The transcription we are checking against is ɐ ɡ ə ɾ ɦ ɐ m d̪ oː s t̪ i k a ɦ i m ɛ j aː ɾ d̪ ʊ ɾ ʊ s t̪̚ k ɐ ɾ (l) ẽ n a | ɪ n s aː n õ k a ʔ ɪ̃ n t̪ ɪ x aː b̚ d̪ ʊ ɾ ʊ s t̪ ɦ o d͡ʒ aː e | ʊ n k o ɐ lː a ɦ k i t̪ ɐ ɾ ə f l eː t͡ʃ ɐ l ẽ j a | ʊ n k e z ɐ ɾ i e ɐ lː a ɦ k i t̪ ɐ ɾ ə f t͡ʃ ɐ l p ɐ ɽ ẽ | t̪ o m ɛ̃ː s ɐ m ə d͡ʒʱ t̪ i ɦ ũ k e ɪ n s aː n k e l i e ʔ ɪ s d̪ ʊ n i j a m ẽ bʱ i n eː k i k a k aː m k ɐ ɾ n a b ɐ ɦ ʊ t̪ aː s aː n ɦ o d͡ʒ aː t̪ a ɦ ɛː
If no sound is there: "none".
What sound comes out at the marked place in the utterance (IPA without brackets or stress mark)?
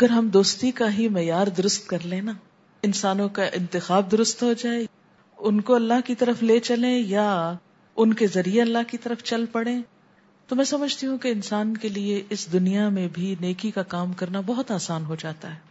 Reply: l